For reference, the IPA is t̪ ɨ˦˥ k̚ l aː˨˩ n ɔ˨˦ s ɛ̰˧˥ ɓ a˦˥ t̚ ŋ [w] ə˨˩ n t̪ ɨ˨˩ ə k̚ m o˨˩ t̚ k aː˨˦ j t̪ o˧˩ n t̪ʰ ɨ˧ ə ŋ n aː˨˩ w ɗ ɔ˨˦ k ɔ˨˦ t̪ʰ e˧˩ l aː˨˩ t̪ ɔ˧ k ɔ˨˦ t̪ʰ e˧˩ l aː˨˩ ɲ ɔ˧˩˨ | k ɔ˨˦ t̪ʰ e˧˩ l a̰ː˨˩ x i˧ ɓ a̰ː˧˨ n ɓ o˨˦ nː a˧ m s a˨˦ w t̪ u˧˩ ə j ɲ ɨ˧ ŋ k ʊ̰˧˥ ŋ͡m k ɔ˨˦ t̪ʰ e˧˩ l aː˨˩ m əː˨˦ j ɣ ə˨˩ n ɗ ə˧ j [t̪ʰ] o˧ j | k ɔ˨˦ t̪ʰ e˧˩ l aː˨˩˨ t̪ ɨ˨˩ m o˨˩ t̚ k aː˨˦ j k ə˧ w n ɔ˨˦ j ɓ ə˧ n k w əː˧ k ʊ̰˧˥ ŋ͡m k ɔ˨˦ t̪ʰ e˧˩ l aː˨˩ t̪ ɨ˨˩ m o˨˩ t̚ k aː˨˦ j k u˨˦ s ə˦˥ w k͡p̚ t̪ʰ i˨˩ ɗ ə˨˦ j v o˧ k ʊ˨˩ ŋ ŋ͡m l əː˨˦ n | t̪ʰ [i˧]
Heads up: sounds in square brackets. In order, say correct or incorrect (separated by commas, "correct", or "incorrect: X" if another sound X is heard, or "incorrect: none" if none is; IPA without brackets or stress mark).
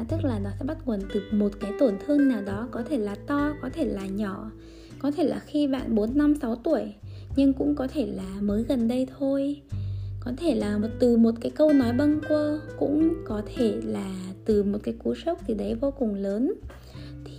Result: correct, correct, incorrect: i˨˩